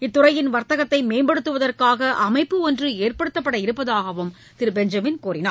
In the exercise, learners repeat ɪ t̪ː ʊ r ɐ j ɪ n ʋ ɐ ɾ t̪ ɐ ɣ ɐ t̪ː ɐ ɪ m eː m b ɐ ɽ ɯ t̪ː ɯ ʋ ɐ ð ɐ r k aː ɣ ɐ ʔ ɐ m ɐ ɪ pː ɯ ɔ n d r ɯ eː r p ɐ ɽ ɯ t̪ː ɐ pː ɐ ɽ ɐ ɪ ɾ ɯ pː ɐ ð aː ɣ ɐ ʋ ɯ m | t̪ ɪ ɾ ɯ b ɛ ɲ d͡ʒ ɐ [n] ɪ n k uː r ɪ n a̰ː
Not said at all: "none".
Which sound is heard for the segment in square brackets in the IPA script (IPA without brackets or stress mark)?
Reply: m